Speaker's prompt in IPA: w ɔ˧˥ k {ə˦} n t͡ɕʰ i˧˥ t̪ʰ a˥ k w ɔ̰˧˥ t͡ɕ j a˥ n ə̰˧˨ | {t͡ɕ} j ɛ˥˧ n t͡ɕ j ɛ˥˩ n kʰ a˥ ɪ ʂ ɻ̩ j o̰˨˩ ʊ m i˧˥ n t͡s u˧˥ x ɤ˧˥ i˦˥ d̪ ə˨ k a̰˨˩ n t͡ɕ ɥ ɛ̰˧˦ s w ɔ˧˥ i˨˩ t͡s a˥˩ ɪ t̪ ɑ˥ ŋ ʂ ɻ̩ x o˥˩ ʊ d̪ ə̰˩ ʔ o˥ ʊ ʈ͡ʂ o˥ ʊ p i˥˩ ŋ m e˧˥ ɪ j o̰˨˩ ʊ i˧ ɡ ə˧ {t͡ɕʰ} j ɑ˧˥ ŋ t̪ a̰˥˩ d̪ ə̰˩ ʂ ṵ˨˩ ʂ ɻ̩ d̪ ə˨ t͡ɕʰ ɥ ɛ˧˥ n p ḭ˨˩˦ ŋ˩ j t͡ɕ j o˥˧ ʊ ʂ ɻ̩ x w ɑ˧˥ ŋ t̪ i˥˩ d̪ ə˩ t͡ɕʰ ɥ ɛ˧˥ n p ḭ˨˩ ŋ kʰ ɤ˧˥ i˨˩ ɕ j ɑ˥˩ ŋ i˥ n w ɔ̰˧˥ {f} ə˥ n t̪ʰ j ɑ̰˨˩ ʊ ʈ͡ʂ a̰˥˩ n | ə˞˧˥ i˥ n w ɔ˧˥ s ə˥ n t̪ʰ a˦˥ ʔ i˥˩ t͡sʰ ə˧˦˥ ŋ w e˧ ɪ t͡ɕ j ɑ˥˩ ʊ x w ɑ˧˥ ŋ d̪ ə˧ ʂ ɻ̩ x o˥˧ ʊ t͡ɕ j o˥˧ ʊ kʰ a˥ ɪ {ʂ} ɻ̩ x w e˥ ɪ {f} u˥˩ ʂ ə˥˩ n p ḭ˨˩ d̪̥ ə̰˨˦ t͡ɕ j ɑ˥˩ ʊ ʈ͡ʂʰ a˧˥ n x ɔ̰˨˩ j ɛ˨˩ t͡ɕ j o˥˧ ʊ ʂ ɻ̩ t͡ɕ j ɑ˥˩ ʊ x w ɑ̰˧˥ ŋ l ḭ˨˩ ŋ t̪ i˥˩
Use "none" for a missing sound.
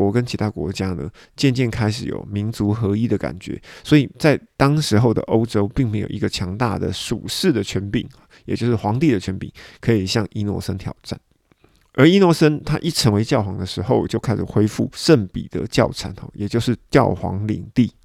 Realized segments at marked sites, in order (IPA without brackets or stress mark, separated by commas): ə˦, t͡ɕ, t͡ɕʰ, s, ʂ, f